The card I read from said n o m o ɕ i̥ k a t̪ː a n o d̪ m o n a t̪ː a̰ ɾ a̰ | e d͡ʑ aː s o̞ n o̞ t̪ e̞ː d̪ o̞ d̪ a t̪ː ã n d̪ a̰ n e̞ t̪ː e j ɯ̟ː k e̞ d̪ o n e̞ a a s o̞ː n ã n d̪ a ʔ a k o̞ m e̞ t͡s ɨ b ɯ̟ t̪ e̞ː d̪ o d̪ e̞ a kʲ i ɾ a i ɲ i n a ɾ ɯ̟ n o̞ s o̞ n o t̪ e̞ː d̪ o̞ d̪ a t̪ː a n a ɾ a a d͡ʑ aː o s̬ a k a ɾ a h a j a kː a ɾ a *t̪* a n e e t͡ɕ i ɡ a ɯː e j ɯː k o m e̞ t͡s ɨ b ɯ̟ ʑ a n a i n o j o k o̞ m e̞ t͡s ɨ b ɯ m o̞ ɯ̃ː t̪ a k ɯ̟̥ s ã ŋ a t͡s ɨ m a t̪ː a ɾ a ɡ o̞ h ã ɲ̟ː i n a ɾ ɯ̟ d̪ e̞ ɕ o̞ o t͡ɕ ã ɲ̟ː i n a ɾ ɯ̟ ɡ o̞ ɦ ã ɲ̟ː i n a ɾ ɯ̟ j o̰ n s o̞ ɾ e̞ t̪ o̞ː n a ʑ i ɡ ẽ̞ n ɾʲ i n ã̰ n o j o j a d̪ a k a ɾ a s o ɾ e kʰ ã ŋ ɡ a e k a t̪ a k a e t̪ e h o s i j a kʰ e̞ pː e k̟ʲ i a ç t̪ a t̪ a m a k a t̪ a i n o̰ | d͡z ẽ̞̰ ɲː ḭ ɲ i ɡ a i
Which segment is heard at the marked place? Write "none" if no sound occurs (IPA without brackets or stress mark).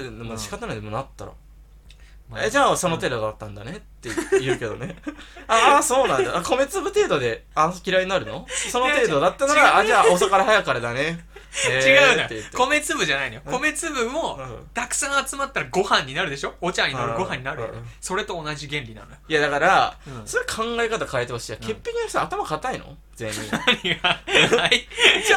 d̪